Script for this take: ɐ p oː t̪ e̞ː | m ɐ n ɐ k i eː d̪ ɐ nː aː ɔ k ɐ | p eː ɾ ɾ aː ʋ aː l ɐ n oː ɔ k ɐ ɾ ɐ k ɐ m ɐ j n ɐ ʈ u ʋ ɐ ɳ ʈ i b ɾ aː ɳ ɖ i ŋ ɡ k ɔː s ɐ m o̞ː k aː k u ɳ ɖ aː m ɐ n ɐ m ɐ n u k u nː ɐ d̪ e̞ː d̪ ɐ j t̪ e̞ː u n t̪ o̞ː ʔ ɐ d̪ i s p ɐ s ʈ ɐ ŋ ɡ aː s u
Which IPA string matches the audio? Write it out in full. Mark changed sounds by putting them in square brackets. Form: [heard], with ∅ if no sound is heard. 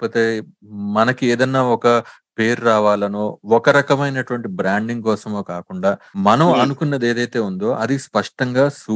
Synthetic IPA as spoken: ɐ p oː t̪ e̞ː | m ɐ n ɐ k i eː d̪ ɐ nː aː ɔ k ɐ | p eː ɾ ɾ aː ʋ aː l ɐ n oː ɔ k ɐ ɾ ɐ k ɐ m ɐ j n ɐ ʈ u ʋ ɐ ɳ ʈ i b ɾ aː ɳ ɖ i ŋ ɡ k ɔː s ɐ m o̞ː k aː k u ɳ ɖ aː m ɐ n ɐ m ɐ n u k u nː ɐ d̪ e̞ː d̪ ɐ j t̪ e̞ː u n [d̪] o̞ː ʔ ɐ d̪ i s p ɐ [ʂ] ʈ ɐ ŋ ɡ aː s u